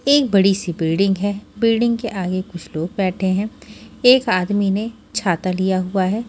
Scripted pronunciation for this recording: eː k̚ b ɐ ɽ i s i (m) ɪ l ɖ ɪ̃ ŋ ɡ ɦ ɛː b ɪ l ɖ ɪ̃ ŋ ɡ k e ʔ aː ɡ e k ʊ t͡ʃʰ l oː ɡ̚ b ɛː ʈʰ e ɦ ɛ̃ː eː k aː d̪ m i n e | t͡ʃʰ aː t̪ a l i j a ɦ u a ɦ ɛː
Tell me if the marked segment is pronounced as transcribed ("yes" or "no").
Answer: no